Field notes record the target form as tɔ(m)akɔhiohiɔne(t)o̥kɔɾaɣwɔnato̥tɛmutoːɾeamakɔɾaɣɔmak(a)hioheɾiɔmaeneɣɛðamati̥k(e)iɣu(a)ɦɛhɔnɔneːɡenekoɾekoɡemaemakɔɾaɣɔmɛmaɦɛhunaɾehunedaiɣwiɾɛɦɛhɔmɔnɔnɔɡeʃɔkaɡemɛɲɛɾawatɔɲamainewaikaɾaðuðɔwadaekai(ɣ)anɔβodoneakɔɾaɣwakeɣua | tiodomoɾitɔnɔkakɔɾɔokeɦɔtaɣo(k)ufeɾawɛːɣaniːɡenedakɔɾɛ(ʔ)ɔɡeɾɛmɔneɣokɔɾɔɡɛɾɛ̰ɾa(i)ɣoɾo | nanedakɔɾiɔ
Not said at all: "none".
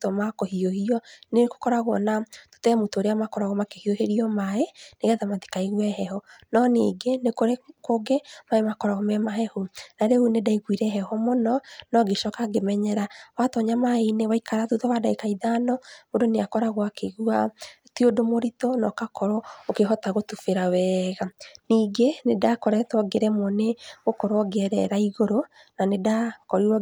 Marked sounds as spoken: m, k, e, a, ɛ, ð, t, t, i

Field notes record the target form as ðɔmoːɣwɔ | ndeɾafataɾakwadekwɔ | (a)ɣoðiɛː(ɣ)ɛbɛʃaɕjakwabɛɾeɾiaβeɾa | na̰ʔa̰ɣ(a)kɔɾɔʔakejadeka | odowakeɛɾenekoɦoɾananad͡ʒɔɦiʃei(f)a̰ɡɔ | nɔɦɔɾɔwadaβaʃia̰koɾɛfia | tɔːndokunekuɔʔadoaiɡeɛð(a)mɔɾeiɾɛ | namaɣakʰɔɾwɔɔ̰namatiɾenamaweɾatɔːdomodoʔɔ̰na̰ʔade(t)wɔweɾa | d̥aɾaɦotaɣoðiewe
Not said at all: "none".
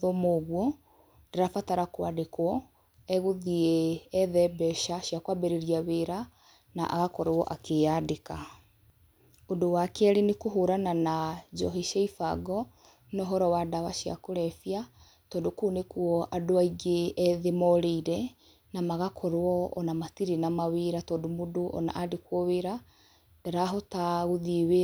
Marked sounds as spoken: ɛ, ð, a, f, e, k

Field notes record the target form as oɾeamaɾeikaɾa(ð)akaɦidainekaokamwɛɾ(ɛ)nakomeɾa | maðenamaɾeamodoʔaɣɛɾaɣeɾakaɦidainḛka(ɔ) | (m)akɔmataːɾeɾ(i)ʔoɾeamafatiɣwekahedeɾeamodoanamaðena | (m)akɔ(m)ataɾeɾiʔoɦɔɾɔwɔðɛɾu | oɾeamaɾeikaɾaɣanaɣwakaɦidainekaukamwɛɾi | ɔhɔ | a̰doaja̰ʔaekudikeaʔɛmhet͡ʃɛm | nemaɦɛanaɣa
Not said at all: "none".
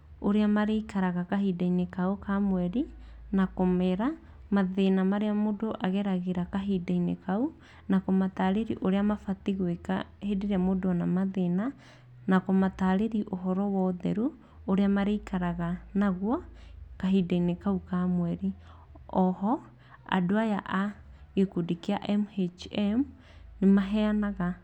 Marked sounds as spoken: ɣ, i, u, n, i, n, m

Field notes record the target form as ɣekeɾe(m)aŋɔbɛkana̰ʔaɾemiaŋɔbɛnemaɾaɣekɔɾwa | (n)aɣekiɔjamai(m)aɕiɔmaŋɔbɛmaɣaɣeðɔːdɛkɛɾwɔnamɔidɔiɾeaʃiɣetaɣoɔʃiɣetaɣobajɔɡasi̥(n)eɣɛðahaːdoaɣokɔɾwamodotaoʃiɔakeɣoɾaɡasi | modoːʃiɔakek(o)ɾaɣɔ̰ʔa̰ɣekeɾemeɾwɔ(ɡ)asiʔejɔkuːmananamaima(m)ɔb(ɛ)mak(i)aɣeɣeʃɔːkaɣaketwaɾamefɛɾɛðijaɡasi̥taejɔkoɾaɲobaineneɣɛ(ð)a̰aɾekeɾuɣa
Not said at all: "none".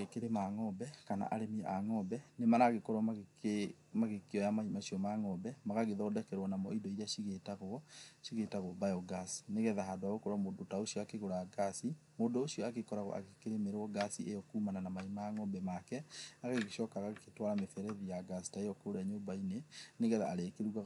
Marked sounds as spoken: m, m, m, n, ɔ, ɡ, ŋ, ɛ, ɛ, ð

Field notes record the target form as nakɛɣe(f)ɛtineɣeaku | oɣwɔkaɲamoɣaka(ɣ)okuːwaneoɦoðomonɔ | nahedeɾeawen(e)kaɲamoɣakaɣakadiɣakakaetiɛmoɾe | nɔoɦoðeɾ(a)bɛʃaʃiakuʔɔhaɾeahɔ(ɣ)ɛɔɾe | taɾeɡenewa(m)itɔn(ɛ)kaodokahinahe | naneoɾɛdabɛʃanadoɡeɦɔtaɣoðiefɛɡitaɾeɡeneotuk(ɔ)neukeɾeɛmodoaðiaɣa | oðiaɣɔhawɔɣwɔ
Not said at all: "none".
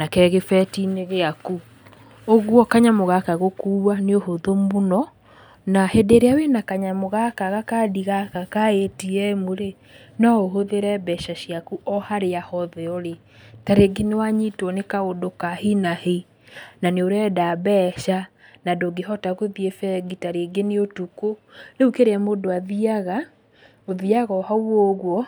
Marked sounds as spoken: f, ɣ, a, ɛ, ð, ɲ, e, o

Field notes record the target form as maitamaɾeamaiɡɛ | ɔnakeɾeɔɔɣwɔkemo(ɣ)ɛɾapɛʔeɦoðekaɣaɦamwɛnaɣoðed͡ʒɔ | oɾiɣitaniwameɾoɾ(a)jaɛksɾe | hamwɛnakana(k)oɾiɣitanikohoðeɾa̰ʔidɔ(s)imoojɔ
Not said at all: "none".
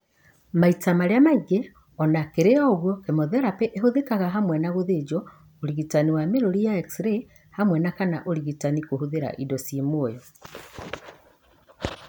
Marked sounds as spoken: ð, i, ʔ, s

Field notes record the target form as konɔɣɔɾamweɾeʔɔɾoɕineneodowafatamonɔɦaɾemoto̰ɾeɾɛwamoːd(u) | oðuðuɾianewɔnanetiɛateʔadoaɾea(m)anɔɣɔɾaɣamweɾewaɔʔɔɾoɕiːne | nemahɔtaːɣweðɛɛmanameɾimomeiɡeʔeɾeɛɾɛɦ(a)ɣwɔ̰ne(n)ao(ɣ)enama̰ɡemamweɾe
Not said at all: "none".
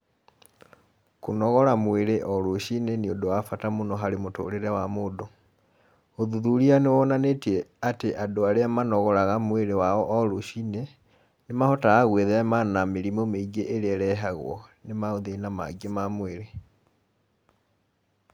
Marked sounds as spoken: o, m, a, m, ð

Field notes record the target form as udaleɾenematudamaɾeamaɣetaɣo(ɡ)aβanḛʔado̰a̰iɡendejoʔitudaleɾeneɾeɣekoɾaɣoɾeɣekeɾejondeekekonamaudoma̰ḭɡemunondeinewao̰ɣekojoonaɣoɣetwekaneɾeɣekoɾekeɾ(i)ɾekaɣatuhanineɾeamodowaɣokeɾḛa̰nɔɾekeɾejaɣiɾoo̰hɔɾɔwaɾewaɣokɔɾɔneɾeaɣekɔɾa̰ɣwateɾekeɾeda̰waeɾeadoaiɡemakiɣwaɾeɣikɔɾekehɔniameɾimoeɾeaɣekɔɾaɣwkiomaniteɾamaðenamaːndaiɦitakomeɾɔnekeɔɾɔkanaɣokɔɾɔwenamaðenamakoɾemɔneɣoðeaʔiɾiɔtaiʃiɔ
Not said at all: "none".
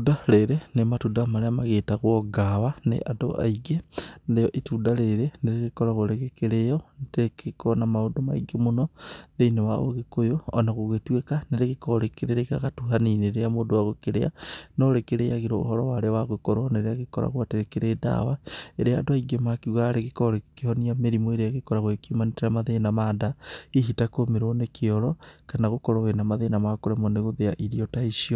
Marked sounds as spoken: ɡ, e

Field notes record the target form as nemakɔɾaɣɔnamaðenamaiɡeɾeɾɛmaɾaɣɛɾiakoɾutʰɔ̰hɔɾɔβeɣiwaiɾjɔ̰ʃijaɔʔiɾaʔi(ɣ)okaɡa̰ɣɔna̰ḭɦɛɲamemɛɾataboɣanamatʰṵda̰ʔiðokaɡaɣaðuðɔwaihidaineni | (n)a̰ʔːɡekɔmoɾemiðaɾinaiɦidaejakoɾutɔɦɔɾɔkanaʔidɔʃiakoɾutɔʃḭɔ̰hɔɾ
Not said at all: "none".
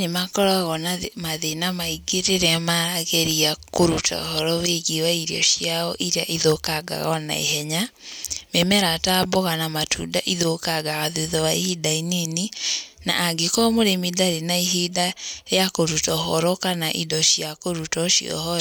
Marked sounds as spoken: ð, n

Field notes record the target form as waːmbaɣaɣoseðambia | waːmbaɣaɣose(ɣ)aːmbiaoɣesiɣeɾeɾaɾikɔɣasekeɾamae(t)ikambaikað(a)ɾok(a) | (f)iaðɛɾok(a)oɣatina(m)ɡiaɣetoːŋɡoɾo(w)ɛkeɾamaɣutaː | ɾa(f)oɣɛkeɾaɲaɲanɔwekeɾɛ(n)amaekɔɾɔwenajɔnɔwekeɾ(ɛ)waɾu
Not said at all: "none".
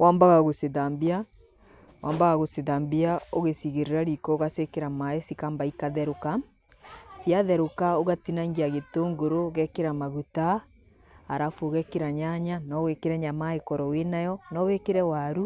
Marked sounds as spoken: ð, s, ɛ, a, s, a, ŋ, ɣ, f, ɲ, ɛ

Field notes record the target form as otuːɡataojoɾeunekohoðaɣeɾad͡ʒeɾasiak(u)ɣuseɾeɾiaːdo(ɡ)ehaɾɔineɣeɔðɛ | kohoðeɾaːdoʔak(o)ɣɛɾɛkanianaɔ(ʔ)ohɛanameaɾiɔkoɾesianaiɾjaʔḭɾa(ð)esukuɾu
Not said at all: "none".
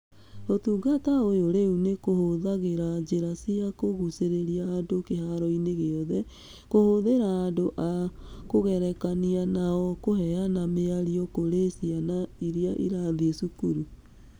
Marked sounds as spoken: o, k, o, k, ð

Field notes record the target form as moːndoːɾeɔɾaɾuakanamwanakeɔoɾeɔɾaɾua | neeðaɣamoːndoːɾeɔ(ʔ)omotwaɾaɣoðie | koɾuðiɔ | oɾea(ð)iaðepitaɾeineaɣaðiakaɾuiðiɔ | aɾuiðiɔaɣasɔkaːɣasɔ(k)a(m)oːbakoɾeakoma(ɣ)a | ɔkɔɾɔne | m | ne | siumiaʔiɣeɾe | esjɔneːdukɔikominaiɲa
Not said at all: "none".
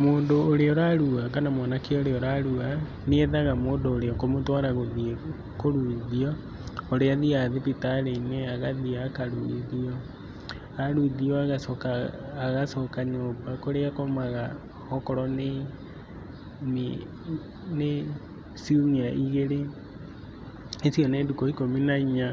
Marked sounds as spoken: k, ð, k, ɲ, ɣ

